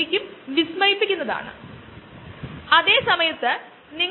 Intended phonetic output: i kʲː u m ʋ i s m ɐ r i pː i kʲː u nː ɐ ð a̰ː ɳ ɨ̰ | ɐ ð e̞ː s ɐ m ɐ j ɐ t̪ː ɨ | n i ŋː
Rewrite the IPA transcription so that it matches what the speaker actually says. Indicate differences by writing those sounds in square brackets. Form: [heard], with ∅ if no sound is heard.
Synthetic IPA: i kʲː u m ʋ i s m ɐ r i pː i kʲː u nː ɐ ð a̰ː ɳ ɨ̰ | ɐ ð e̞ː s ɐ m ɐ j ɐ t̪ː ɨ | n i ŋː